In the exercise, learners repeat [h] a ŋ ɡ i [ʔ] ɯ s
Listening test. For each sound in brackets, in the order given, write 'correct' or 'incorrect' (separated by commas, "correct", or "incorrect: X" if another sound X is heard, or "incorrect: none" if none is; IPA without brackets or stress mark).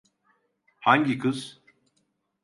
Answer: correct, incorrect: k